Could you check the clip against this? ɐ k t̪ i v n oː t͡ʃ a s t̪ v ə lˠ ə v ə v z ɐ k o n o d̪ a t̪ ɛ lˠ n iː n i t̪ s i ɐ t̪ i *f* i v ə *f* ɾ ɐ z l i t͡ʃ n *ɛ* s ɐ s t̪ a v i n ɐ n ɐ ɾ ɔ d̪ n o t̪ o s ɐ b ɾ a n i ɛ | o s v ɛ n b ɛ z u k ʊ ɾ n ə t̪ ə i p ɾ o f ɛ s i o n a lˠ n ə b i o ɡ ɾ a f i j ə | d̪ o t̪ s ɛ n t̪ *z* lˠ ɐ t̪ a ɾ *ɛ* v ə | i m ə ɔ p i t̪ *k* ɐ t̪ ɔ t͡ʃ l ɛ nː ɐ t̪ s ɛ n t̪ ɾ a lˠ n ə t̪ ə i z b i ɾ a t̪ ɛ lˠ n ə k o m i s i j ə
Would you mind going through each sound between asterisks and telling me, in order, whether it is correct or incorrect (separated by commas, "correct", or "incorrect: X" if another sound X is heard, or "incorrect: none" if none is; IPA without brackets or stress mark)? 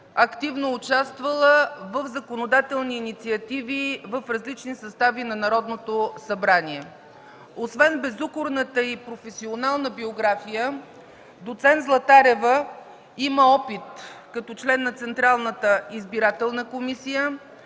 incorrect: v, correct, incorrect: i, correct, correct, correct